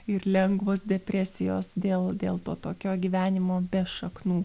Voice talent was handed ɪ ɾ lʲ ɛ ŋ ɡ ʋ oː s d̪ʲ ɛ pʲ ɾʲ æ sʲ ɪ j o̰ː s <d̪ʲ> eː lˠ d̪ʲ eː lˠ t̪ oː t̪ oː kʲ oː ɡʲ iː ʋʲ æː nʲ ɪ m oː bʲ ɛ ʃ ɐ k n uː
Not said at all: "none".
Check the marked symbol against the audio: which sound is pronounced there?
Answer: d̪ʲ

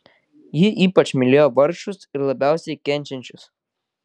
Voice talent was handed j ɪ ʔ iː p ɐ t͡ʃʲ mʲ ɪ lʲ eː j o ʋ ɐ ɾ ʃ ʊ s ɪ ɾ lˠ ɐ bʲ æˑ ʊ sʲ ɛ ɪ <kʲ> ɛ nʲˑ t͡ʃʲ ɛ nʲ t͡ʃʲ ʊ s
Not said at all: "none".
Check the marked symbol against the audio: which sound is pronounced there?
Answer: kʲ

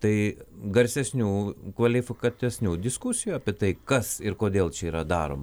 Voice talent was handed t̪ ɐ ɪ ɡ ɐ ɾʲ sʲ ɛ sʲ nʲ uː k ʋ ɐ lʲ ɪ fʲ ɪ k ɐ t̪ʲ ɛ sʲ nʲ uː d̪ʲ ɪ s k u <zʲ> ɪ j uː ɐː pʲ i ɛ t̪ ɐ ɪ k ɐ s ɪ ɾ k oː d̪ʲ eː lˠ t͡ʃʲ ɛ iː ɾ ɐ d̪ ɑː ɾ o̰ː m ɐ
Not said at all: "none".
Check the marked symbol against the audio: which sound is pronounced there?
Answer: sʲ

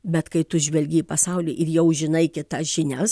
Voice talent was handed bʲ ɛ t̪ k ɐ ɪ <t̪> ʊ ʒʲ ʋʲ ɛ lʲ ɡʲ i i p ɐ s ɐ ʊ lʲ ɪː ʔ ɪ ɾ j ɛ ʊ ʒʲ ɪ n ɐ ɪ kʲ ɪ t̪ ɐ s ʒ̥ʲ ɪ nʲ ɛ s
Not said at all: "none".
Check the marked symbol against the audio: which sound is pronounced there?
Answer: t̪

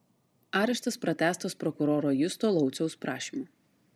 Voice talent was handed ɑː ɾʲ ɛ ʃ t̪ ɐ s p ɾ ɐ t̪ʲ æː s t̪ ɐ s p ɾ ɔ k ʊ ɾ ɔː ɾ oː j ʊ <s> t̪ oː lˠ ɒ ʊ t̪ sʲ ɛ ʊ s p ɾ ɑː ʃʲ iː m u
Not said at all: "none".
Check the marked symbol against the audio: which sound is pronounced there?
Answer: s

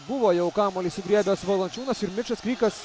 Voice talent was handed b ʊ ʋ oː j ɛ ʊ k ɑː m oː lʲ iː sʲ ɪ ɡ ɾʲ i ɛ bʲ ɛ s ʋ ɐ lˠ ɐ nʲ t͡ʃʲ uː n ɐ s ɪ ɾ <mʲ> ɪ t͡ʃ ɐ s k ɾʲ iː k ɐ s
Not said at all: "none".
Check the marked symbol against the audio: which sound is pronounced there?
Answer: mʲ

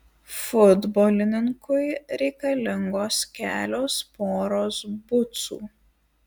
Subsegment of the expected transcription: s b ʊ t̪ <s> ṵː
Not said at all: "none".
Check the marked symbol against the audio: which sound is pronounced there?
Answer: s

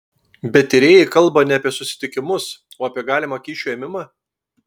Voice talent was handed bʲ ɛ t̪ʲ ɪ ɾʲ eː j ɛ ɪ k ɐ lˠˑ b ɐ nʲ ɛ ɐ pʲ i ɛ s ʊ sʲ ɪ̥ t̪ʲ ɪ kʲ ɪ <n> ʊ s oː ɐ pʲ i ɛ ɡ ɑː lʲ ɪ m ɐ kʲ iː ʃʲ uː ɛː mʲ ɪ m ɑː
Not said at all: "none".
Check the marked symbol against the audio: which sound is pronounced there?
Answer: m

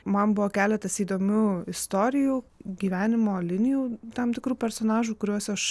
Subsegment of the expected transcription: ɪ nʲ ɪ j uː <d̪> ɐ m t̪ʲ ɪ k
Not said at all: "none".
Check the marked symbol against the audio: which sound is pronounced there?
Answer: t̪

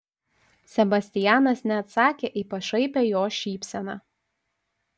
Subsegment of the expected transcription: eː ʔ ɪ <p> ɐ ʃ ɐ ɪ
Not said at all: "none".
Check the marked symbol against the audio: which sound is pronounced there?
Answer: p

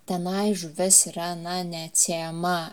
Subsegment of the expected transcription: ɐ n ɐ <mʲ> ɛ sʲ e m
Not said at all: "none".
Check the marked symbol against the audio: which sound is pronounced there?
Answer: nʲ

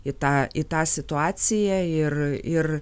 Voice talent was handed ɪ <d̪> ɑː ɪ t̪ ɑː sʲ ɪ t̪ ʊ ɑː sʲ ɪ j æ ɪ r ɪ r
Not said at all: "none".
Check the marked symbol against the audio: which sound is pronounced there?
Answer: t̪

